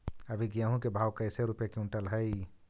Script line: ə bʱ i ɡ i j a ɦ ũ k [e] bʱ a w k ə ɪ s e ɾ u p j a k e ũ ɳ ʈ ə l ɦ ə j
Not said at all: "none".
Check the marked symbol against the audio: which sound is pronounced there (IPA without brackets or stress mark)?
e